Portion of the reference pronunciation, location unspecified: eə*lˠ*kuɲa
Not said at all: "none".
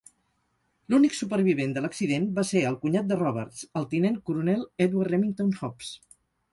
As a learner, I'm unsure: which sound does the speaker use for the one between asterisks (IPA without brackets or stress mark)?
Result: lˠ